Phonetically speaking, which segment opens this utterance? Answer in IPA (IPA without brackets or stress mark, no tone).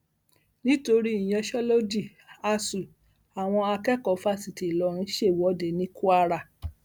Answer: n